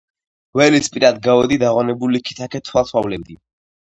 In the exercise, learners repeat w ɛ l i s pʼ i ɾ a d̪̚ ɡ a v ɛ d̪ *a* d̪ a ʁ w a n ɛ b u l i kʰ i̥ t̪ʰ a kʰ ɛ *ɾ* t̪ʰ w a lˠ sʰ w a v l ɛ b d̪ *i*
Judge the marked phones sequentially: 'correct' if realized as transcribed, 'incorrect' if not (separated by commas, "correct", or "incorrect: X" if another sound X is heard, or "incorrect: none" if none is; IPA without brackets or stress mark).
incorrect: i, incorrect: none, correct